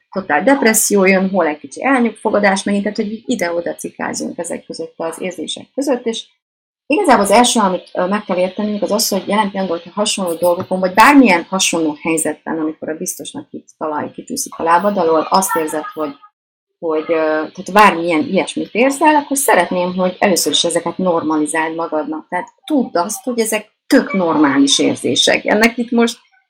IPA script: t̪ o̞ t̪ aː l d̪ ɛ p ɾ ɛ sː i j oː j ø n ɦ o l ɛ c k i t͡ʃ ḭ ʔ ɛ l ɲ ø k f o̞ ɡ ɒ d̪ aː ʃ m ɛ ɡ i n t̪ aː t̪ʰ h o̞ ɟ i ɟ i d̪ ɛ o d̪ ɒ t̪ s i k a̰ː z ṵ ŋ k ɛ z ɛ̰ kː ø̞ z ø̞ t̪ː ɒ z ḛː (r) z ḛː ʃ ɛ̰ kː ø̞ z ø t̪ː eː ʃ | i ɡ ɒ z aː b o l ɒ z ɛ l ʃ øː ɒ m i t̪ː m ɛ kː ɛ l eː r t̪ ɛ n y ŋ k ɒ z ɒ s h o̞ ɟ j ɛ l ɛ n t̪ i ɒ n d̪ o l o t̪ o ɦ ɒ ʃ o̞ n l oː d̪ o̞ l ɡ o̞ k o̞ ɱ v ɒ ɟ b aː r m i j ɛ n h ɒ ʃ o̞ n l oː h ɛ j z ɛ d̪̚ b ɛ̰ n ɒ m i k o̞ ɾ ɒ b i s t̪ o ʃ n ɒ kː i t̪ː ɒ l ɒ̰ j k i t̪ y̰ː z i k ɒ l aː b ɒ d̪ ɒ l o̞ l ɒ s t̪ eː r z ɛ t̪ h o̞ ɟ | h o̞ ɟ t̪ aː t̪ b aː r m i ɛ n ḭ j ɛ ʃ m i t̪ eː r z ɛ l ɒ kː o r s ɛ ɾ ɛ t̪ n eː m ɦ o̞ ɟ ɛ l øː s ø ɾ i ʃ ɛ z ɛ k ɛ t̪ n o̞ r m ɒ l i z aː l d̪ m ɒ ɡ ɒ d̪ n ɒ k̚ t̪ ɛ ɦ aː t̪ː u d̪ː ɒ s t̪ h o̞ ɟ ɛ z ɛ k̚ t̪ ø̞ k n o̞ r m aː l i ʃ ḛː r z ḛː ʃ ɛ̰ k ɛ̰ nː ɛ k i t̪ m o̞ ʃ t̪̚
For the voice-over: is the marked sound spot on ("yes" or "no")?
yes